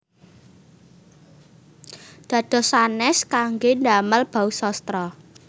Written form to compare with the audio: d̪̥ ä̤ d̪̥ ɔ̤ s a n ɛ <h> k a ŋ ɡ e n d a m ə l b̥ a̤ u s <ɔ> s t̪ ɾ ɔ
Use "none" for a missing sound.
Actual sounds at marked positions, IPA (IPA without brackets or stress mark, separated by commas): s, ɔ